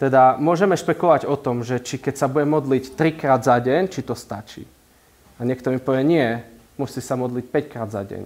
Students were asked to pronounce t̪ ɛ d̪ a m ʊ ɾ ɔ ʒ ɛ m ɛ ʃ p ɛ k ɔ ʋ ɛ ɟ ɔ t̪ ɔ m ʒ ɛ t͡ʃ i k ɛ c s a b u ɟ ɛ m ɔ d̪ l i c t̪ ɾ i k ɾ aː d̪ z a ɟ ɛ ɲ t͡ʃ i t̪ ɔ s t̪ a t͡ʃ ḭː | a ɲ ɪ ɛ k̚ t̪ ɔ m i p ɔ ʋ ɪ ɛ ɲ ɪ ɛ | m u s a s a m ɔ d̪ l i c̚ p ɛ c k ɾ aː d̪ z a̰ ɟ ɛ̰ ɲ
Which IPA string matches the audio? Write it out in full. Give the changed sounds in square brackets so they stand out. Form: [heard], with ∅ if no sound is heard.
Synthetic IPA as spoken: t̪ ɛ d̪ a m ʊ [∅] ɔ ʒ ɛ m ɛ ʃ p ɛ k ɔ ʋ [a] ɟ ɔ t̪ ɔ m ʒ ɛ t͡ʃ i k ɛ c s a b u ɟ ɛ m ɔ d̪ l i c t̪ ɾ i k ɾ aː d̪ z a ɟ ɛ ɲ t͡ʃ i t̪ ɔ s t̪ a t͡ʃ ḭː | a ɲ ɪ ɛ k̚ t̪ ɔ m i p ɔ ʋ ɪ ɛ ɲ ɪ ɛ | m u s [i] s a m ɔ d̪ l i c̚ p ɛ c k ɾ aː d̪ z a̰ ɟ ɛ̰ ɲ